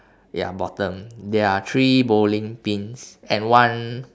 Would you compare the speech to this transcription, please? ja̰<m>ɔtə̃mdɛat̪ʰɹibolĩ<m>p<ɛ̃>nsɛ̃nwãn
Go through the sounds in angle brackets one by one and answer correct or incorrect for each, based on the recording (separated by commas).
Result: incorrect, incorrect, incorrect